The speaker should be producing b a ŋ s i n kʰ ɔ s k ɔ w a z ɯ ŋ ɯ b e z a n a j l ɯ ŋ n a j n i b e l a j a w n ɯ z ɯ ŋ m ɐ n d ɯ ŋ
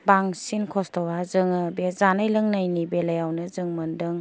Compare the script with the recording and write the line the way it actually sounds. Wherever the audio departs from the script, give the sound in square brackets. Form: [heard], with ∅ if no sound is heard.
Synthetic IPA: b a ŋ s i n kʰ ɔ s [t] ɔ w a z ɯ ŋ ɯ b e z a n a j l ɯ ŋ n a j n i b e l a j a w n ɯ z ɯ ŋ m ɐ n d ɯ ŋ

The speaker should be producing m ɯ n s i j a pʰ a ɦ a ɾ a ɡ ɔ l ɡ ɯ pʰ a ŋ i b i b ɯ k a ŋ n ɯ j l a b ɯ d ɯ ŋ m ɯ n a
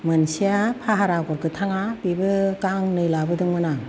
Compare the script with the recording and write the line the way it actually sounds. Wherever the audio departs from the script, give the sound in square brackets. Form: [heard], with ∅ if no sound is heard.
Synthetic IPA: m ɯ n s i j a pʰ a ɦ a ɾ a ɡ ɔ [ɾ] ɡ ɯ [tʰ] a ŋ [a] b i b ɯ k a ŋ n ɯ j l a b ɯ d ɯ ŋ m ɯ n a

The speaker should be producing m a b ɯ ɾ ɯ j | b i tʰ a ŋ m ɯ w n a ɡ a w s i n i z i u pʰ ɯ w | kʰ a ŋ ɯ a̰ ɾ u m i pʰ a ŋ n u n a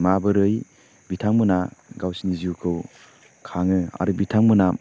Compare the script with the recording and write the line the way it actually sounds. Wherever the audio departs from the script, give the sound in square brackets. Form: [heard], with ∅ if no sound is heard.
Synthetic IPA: m a b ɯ ɾ ɯ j | b i tʰ a ŋ m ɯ [∅] n a ɡ a w s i n i z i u [kʰ] ɯ w | kʰ a ŋ ɯ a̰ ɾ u [b] i [tʰ] a ŋ [m] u n a

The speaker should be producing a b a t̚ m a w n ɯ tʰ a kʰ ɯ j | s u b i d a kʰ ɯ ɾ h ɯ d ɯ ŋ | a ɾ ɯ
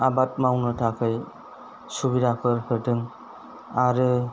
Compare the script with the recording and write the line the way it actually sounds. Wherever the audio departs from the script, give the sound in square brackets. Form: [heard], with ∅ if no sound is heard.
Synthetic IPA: a b a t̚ m a w n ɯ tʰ a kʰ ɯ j | s u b i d a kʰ ɯ ɾ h ɯ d ɯ ŋ | a ɾ ɯ

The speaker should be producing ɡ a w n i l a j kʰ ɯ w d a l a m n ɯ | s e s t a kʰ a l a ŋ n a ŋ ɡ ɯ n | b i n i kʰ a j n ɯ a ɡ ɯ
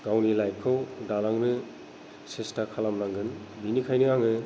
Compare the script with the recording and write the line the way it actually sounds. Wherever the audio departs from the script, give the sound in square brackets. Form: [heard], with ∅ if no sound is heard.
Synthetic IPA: ɡ a w n i l a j kʰ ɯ w d a l a [ŋ] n ɯ | s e s t a kʰ a l a [m] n a ŋ ɡ ɯ n | b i n i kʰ a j n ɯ a [ŋ] ɯ

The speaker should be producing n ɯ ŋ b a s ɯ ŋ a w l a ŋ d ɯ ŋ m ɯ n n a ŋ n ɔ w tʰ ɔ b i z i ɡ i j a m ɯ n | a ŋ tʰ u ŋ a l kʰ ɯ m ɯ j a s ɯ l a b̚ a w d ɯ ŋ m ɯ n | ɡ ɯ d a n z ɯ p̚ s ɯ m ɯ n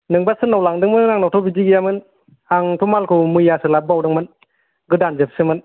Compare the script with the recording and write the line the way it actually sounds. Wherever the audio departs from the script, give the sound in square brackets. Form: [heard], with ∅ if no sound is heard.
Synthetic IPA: n ɯ ŋ b a s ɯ [n] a w l a ŋ d ɯ ŋ m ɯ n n a ŋ n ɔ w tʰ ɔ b i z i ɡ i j a m ɯ n | a ŋ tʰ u [m] a l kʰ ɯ m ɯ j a s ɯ l a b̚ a w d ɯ ŋ m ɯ n | ɡ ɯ d a n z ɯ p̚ s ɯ m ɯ n

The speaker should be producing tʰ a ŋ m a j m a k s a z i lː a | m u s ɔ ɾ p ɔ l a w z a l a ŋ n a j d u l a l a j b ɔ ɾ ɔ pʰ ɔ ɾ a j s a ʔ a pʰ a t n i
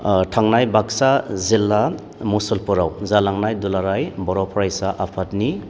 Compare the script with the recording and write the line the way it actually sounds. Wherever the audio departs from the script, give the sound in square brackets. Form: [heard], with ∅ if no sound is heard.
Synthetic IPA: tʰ a ŋ [n] a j [b] a k s a z i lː a | m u s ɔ [l] p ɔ [ɾ] a w z a l a ŋ n a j d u l a [ɾ] a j b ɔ ɾ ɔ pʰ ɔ ɾ a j s a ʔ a pʰ a t n i

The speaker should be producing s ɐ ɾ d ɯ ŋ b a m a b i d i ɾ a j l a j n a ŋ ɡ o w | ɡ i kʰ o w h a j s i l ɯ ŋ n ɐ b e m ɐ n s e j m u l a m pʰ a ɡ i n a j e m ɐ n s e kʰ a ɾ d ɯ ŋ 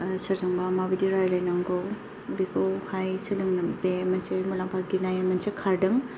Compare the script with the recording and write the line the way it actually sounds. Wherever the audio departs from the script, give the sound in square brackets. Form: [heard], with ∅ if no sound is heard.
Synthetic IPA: s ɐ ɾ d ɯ ŋ b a m a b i d i ɾ a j l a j n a ŋ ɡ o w | [b] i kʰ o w h a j s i l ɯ ŋ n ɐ b e m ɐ n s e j m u l a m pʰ a ɡ i n a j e m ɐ n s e kʰ a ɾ d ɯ ŋ

